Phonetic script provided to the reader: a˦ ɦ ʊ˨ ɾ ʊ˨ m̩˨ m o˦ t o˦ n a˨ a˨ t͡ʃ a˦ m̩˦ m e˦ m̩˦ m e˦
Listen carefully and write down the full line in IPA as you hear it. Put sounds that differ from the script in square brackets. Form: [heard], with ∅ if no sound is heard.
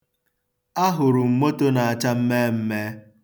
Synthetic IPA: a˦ ɦ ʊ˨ ɾ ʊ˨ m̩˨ m o˦ t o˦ n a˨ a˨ t͡ʃ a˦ m̩˦ m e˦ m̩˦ m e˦